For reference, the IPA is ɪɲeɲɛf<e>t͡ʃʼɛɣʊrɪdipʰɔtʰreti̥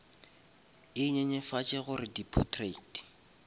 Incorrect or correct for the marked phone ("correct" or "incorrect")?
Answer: incorrect